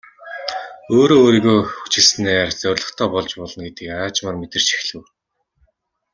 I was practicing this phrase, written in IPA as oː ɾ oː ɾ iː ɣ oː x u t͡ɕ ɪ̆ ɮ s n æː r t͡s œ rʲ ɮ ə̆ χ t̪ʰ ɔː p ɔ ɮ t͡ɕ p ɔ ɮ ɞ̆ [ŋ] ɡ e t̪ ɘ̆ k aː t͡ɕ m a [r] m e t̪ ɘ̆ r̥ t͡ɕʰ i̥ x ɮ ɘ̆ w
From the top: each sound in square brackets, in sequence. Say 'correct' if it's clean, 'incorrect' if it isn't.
incorrect, correct

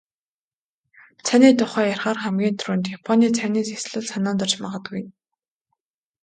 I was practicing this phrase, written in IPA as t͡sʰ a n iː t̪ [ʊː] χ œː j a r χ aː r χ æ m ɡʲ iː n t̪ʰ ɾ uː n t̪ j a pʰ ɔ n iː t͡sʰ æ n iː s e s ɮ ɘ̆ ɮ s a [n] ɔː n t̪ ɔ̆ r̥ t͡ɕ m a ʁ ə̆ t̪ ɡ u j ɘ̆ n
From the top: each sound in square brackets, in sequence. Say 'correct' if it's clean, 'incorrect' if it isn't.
incorrect, correct

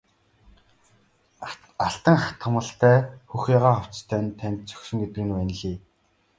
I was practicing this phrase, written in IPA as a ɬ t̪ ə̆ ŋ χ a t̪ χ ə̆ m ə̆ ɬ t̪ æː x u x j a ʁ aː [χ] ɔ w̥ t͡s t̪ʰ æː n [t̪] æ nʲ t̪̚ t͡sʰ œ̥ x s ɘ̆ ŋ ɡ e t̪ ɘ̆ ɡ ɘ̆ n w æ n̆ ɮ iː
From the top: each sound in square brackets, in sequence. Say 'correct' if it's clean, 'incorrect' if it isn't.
correct, incorrect

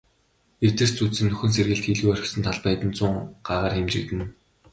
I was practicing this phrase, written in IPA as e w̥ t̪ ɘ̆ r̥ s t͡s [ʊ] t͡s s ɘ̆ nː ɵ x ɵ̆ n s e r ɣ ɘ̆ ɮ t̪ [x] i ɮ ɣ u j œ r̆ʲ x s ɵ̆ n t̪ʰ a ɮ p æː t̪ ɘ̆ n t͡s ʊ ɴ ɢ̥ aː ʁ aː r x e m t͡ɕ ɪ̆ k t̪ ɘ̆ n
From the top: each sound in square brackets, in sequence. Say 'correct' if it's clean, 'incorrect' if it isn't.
incorrect, correct

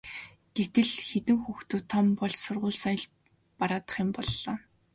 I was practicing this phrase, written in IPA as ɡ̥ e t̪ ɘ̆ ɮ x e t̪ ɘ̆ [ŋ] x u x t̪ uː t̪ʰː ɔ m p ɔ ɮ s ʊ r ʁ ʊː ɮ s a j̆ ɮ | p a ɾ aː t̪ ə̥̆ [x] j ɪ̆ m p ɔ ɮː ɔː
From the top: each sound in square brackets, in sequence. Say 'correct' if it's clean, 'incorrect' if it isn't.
correct, incorrect

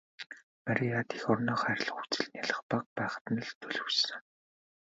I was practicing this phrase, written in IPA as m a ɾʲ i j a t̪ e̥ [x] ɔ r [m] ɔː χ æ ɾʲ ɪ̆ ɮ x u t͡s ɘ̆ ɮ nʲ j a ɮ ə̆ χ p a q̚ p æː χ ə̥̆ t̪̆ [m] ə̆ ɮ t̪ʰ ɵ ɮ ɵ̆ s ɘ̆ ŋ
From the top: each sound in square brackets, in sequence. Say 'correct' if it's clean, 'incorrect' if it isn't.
correct, incorrect, incorrect

